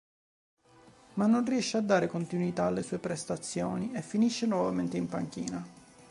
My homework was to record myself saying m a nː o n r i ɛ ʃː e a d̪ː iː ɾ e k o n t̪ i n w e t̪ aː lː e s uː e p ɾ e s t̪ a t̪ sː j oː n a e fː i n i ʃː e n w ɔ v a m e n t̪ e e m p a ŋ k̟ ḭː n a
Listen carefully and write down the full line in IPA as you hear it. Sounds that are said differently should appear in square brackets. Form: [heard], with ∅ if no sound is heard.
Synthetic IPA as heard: m a nː o n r i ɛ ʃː e a d̪ː [aː] ɾ e k o n t̪ i n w [i] t̪ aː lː e s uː e p ɾ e s t̪ a t̪ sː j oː n [i] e fː i n i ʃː e n w ɔ v a m e n t̪ e [i] m p a ŋ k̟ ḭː n a